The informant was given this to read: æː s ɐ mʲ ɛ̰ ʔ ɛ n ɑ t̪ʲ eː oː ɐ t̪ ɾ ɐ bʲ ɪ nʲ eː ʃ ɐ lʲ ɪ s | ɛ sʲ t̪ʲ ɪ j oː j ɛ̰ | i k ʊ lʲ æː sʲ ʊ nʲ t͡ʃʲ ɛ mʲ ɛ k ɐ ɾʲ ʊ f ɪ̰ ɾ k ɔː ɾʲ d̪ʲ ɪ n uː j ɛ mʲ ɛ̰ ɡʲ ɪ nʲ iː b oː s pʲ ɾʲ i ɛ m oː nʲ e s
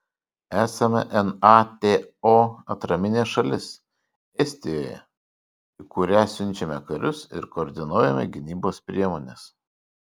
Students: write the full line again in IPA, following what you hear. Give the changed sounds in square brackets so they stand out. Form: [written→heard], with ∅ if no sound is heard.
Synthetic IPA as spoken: æː s ɐ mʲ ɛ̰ ʔ ɛ n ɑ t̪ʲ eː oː ɐ t̪ ɾ ɐ [bʲ→mʲ] ɪ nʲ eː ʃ ɐ lʲ ɪ s | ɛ sʲ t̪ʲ ɪ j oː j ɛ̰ | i k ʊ [lʲ→ɾʲ] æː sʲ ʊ nʲ t͡ʃʲ ɛ mʲ ɛ k ɐ ɾʲ ʊ [f→s] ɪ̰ ɾ k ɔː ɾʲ d̪ʲ ɪ n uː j ɛ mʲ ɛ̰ ɡʲ ɪ nʲ iː b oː s pʲ ɾʲ i ɛ m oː nʲ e s